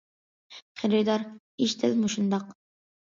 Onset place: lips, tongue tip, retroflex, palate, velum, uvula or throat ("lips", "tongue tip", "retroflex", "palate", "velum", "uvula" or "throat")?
uvula